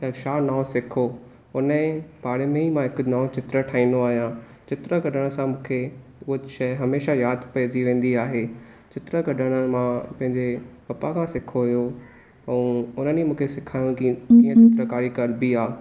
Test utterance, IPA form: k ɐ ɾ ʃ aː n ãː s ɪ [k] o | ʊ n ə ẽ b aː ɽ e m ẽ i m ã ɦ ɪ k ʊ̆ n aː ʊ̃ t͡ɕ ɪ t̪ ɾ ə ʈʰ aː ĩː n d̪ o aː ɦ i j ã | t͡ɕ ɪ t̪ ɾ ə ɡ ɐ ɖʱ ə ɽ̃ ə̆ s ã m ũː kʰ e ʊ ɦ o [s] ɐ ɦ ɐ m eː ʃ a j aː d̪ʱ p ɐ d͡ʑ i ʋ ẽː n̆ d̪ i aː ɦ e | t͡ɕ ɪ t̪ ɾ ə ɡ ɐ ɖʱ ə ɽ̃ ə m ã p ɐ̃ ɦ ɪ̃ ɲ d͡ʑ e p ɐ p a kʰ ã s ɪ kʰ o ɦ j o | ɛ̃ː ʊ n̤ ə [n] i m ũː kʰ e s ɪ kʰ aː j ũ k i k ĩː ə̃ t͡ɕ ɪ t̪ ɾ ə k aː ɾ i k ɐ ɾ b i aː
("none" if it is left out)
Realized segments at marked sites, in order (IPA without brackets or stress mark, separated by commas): kʰ, ʃ, n